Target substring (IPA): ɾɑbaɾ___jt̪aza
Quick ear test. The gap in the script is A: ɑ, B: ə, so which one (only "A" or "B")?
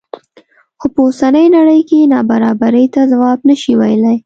B